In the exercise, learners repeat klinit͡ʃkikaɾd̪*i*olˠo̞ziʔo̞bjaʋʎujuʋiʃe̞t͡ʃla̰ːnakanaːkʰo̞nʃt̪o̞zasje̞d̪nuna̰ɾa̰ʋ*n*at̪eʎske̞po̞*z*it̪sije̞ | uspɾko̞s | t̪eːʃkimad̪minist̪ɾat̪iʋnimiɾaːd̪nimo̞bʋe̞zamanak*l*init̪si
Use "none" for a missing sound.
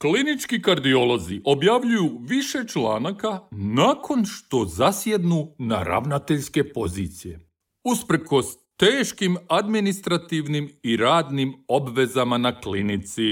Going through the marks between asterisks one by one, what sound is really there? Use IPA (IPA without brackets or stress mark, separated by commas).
i, n, z, l